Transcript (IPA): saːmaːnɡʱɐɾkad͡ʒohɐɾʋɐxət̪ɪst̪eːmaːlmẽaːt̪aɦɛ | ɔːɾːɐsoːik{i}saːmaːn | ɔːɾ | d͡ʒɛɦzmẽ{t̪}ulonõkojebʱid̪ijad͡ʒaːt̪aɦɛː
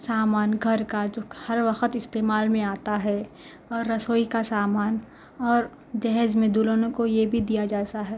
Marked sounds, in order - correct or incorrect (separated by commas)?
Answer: incorrect, incorrect